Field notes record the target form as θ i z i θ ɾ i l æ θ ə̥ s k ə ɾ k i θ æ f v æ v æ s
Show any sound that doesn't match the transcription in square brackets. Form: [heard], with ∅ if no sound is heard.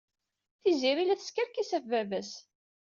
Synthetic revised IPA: θ i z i [∅] ɾ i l æ θ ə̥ s k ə ɾ k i [s] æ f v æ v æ s